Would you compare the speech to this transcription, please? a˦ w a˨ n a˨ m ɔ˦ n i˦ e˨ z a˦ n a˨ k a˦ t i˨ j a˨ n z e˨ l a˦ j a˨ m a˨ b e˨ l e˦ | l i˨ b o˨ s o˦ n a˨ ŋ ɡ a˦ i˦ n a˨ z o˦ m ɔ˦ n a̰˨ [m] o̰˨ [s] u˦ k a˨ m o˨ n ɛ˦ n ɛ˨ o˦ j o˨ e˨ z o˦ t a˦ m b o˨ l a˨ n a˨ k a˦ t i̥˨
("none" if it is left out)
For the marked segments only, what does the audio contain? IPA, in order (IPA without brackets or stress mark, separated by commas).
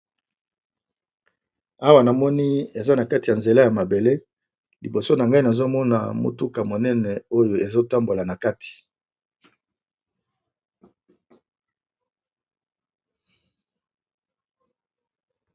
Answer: m, t